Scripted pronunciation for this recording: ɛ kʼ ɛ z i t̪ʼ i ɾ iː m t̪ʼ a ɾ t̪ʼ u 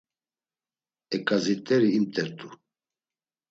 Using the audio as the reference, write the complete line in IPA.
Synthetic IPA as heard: ɛ kʼ a z i t̪ʼ ɛ ɾ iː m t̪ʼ ɛ ɾ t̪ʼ u